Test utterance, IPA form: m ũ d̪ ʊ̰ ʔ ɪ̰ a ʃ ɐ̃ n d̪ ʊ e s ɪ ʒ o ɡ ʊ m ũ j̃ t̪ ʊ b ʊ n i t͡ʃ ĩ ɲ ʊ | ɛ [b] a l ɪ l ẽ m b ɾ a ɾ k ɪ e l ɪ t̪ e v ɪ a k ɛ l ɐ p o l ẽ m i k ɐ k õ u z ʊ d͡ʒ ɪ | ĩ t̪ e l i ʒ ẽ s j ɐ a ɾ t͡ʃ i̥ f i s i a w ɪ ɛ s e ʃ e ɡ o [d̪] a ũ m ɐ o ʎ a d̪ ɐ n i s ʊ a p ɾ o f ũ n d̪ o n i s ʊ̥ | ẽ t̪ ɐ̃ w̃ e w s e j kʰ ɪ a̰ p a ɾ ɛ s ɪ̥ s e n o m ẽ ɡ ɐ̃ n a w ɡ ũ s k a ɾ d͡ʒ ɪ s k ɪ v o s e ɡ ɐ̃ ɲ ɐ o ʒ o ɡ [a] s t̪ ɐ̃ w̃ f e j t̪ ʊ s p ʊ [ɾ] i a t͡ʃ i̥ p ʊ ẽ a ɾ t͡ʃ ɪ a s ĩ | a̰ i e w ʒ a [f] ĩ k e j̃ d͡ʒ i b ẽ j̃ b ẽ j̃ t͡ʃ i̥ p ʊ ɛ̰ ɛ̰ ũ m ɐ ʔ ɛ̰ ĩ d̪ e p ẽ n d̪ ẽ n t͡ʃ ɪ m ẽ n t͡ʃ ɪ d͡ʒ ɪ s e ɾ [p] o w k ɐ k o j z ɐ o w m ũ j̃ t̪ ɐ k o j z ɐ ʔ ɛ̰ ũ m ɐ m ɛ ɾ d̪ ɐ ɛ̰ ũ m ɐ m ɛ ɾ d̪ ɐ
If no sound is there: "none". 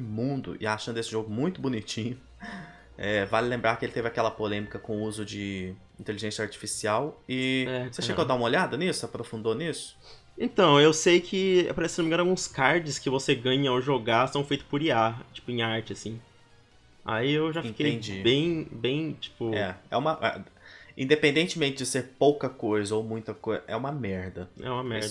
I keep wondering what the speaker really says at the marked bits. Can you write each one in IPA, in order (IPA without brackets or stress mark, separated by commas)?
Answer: v, d̪, a, ɾ, f, p